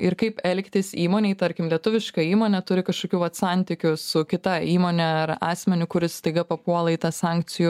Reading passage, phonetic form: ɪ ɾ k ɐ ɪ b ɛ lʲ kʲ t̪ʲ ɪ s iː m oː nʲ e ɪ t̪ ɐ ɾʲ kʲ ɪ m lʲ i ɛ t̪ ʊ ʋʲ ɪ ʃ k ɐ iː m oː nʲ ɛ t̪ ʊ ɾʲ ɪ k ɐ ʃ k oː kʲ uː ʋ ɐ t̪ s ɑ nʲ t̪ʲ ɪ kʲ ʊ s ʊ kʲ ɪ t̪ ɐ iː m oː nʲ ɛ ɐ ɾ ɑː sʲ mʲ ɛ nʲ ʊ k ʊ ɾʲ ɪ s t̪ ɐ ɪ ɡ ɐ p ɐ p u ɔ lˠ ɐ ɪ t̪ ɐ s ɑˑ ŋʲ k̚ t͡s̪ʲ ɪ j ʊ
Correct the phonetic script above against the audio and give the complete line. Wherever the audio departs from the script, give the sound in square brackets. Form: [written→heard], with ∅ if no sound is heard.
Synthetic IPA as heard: ɪ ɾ k ɐ ɪ [b→p] ɛ lʲ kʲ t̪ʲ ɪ s iː m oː nʲ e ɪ t̪ ɐ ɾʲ kʲ ɪ m lʲ i ɛ t̪ ʊ ʋʲ ɪ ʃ k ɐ iː m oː nʲ ɛ t̪ ʊ ɾʲ ɪ k ɐ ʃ k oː kʲ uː ʋ ɐ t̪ s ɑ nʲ t̪ʲ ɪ kʲ ʊ s ʊ kʲ ɪ t̪ ɐ iː m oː nʲ ɛ ɐ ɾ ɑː sʲ mʲ ɛ nʲ ʊ k ʊ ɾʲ ɪ s t̪ ɐ ɪ ɡ ɐ p ɐ p u ɔ lˠ ɐ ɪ t̪ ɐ s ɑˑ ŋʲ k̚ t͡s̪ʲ ɪ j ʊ